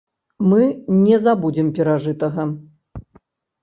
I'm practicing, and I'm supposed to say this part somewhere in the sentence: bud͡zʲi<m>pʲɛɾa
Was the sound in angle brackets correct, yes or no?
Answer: yes